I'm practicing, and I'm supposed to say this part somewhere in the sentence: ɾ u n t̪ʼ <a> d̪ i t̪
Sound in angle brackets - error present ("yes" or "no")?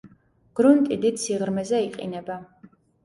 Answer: yes